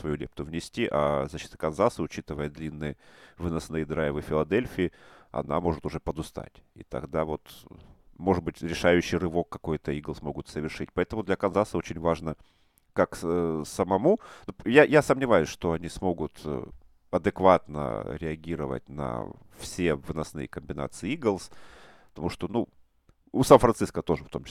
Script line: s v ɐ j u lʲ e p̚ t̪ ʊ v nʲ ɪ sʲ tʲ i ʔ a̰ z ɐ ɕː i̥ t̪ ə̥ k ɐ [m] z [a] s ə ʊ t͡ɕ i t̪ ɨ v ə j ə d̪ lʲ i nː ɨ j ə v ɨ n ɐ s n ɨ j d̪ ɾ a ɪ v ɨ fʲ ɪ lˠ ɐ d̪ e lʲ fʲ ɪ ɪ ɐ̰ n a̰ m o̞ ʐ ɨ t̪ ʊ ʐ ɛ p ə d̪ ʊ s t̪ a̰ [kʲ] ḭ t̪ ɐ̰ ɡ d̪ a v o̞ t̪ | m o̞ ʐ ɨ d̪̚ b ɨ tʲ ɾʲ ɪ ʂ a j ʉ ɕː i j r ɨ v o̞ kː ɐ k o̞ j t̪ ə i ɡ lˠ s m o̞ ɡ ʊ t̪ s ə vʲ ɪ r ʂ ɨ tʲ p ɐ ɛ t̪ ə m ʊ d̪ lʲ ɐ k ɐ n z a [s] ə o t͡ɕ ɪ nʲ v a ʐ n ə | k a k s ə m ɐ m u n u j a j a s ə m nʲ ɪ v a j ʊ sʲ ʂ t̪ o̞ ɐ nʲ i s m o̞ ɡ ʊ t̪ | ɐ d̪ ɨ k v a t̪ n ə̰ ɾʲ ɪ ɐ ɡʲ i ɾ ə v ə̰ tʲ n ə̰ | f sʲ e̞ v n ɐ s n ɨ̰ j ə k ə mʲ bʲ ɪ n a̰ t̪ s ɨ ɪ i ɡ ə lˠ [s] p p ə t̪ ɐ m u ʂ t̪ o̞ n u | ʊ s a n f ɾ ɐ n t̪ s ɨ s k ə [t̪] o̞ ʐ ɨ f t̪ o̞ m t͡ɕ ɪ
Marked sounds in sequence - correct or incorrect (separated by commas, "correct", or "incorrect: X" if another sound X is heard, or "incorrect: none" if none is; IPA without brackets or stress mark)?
incorrect: n, correct, incorrect: tʲ, correct, correct, correct